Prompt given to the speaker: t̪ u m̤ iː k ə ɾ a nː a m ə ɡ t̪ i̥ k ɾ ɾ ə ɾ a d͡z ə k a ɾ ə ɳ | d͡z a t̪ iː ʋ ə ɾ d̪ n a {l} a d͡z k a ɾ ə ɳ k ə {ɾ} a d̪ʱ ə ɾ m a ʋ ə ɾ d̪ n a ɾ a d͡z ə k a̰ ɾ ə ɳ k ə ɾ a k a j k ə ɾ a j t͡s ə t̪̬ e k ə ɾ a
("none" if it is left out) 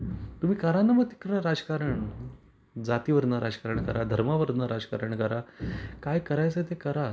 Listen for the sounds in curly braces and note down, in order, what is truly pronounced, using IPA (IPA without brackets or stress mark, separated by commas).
ɾ, ɾ